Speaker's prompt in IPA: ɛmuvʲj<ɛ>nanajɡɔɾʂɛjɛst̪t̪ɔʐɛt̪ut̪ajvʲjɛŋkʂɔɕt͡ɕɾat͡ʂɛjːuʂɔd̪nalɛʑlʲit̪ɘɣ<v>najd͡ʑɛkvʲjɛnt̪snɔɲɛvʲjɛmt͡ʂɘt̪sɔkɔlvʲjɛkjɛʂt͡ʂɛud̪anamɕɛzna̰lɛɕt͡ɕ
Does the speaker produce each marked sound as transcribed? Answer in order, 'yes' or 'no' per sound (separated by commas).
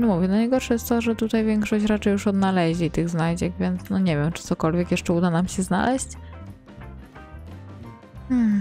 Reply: yes, no